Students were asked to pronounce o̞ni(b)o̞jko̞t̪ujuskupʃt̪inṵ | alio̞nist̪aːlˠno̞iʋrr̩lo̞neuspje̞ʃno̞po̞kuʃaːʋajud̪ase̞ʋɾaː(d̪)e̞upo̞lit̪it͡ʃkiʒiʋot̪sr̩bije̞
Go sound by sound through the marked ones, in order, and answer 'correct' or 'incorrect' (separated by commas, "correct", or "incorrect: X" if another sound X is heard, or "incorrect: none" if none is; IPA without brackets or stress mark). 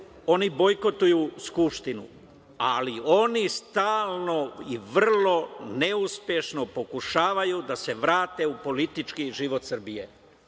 correct, incorrect: t̪